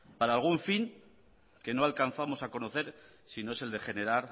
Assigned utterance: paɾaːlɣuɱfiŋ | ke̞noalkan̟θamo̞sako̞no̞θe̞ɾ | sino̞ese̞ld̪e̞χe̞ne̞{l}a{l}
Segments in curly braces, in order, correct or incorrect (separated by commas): incorrect, incorrect